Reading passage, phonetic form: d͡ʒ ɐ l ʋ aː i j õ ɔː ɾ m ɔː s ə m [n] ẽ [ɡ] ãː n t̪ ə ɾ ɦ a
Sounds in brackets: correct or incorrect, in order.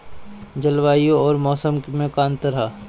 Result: incorrect: m, incorrect: k

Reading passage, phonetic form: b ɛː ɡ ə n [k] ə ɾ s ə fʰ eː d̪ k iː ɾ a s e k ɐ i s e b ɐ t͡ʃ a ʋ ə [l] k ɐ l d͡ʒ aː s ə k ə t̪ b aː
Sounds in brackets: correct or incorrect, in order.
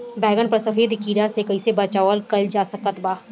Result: incorrect: p, correct

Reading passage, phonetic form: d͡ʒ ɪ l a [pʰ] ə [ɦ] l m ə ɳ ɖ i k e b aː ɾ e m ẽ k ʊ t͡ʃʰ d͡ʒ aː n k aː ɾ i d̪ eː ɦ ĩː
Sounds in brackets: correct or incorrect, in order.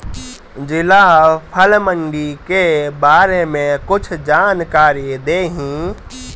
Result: correct, incorrect: none

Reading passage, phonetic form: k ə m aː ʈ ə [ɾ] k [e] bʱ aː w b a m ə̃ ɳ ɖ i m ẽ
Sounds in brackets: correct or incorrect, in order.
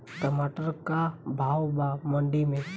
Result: correct, incorrect: a

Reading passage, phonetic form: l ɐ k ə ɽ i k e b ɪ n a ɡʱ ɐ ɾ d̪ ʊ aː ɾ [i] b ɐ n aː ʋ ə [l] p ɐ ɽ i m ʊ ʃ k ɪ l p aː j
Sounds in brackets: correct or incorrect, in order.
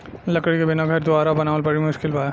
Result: incorrect: a, correct

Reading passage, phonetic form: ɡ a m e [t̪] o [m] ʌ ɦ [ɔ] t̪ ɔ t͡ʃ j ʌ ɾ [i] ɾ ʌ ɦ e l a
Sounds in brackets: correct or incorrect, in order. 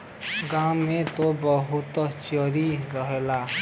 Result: correct, incorrect: b, incorrect: u, correct

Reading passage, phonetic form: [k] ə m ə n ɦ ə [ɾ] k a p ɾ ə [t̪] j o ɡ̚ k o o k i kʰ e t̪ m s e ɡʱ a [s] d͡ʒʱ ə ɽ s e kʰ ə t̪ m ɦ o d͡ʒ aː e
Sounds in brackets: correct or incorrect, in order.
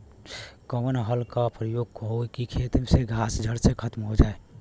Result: correct, incorrect: l, incorrect: none, correct

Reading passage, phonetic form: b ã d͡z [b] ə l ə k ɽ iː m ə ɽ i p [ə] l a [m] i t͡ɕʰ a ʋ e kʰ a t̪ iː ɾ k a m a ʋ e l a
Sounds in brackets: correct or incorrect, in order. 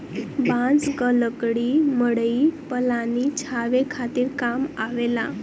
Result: incorrect: ɡ, correct, incorrect: n

